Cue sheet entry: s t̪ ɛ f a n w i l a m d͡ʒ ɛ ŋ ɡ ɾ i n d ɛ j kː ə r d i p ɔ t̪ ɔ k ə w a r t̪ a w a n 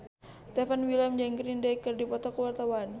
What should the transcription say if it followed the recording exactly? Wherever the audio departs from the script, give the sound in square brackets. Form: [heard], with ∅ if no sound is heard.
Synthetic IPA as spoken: s t̪ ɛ f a n w i l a m d͡ʒ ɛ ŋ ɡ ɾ i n d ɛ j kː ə r d i p ɔ t̪ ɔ k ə w a r t̪ a w a n